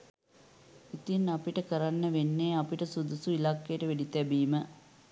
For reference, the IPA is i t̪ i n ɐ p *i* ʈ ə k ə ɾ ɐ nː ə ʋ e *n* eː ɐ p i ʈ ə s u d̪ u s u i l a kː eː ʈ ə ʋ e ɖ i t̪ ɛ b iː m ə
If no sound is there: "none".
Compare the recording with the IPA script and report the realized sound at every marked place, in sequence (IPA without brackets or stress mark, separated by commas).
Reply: i, nː